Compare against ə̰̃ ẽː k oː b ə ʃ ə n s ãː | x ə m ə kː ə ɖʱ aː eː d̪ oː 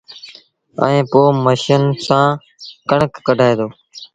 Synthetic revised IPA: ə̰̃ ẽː p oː m ə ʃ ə n s ãː | k ə ɳ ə kː ə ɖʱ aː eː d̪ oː